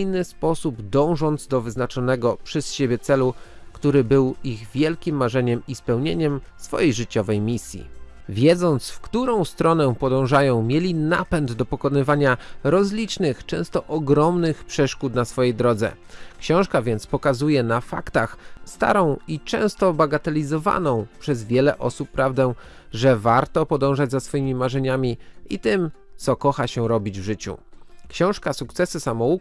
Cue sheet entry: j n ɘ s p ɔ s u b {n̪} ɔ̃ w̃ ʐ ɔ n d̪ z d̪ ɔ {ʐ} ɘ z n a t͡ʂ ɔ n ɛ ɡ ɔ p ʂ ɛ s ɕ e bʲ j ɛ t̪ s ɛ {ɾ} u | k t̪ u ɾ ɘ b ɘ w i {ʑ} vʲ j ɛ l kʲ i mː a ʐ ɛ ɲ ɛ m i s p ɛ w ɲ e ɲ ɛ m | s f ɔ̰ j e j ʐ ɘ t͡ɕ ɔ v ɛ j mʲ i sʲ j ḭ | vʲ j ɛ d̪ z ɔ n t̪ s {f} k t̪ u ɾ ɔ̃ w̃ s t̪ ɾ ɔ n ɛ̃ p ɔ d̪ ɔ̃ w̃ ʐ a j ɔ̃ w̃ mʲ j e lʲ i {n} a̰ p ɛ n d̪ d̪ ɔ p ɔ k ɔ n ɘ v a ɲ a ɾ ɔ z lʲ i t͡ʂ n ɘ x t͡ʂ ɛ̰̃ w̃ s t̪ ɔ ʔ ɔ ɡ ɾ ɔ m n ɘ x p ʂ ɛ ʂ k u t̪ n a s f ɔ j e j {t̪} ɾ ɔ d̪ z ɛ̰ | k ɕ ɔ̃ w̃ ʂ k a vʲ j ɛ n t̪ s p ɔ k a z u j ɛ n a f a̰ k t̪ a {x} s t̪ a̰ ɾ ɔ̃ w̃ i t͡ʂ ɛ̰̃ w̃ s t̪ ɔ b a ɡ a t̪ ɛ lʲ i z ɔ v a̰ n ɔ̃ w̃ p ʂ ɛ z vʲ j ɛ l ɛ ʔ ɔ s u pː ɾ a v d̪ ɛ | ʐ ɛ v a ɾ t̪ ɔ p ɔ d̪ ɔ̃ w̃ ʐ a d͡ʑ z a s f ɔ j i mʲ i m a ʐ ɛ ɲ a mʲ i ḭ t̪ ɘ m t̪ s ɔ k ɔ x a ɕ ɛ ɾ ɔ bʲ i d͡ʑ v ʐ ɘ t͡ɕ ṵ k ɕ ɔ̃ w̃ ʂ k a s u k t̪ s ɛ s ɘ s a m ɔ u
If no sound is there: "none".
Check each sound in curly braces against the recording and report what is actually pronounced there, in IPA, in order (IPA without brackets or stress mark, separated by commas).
d̪, v, l, ɣ, f, n, d̪, x